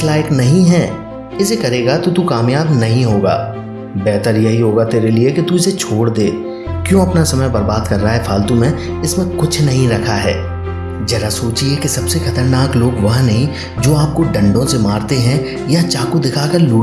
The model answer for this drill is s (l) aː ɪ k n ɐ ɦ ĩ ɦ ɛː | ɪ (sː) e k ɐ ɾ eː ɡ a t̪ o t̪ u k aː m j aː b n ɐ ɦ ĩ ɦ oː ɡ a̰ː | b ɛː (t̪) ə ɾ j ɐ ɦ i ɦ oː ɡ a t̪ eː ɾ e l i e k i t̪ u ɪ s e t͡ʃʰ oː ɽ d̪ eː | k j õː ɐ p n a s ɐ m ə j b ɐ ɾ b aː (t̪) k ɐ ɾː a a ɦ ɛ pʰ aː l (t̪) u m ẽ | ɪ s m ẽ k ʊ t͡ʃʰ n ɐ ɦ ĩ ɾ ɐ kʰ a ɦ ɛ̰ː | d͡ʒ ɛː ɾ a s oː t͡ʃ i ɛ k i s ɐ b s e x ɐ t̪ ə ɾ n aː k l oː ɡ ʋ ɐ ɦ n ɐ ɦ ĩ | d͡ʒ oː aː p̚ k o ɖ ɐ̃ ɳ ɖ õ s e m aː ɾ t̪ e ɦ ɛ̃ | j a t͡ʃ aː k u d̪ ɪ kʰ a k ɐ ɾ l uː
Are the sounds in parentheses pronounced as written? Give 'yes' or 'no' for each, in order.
yes, no, yes, no, yes

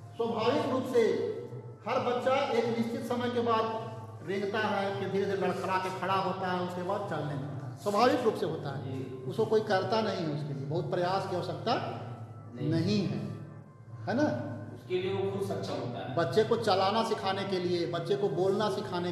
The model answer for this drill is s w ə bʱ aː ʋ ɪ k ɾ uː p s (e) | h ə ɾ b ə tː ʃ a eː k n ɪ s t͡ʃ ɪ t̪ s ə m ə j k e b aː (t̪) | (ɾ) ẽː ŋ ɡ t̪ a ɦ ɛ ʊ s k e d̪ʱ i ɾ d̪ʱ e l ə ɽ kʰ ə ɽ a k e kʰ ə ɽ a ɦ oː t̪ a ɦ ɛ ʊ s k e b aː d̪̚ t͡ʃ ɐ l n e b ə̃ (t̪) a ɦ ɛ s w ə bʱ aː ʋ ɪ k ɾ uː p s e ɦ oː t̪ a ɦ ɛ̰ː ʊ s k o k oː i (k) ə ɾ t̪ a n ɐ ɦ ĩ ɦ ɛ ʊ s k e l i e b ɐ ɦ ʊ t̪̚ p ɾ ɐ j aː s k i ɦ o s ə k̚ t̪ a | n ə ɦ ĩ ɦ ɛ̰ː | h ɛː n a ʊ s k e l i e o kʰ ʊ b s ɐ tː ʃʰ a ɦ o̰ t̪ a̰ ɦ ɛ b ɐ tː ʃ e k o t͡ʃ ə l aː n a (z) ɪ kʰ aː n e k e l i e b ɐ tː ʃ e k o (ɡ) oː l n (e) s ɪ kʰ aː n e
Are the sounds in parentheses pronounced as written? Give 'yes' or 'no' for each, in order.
yes, no, yes, yes, yes, no, no, no

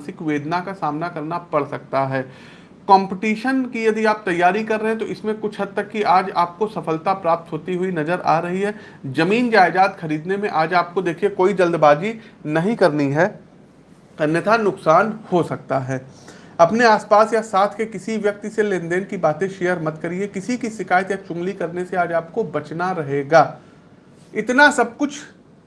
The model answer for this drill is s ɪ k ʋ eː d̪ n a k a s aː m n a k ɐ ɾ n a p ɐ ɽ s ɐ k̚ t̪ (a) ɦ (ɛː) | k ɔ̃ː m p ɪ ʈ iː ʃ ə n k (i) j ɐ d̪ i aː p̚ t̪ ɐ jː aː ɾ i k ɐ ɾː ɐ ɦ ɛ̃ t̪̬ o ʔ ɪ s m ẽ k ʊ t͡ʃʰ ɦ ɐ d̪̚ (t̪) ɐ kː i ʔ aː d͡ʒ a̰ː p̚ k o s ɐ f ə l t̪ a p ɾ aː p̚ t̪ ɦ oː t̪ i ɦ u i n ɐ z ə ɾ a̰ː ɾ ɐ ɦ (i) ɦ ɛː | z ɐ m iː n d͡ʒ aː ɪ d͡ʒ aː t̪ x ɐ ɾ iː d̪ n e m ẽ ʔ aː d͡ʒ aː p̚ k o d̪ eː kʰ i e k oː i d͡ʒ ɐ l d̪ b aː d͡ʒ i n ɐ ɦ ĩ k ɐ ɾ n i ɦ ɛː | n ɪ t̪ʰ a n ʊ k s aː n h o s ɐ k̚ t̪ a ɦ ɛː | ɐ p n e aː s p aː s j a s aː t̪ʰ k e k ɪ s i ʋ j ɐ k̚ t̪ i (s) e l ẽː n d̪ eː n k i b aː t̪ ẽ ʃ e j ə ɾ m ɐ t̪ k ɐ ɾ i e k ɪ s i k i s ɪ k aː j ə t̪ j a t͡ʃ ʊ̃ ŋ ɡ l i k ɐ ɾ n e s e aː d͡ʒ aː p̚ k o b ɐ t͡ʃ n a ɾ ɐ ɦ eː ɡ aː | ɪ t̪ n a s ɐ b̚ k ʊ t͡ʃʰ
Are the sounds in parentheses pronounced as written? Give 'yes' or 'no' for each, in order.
yes, yes, yes, yes, yes, yes

